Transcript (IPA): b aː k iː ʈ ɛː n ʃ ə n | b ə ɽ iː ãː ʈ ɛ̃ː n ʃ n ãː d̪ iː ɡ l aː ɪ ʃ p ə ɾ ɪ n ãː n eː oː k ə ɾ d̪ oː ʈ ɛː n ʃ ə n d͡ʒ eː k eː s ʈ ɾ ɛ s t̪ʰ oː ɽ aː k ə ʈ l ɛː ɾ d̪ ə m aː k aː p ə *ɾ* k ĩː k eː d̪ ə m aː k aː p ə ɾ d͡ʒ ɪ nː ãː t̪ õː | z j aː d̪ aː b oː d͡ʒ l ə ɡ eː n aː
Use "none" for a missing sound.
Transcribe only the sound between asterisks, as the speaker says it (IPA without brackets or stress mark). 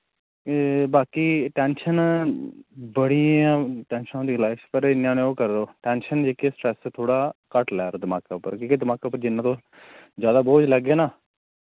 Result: ɾ